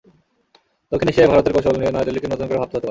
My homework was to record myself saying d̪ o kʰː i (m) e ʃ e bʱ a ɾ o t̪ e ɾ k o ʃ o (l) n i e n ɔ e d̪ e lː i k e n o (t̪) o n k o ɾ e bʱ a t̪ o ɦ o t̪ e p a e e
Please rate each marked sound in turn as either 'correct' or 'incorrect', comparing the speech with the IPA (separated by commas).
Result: incorrect, correct, correct